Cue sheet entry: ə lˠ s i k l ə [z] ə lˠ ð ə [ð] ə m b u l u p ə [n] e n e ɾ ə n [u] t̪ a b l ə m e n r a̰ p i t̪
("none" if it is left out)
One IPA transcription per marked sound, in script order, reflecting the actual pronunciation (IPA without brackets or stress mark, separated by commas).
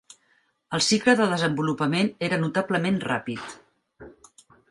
ð, z, m, u